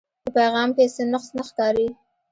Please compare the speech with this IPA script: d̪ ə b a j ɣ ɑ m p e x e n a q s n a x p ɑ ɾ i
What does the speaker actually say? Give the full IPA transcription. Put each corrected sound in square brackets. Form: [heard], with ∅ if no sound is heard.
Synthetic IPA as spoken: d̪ ə [p] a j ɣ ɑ m p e [s] e n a q s n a x [k] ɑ ɾ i